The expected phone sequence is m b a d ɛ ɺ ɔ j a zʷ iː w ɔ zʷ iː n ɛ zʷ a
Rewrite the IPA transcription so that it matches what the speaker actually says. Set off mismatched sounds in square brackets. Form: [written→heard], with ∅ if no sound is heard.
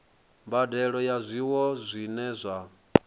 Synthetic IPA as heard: m b a d ɛ ɺ ɔ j a zʷ [iː→i] w ɔ zʷ [iː→i] n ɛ zʷ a